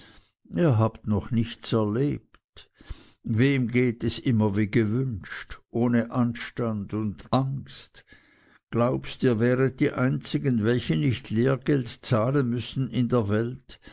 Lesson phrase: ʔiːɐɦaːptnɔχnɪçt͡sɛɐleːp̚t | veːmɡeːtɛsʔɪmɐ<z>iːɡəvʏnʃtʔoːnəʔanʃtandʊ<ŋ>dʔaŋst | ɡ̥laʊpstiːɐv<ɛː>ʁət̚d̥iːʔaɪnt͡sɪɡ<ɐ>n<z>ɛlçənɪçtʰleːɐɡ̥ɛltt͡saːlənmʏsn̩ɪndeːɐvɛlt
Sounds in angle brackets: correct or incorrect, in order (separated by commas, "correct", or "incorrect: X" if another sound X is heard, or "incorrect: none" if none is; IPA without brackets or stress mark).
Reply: incorrect: v, incorrect: n, correct, incorrect: ə, incorrect: v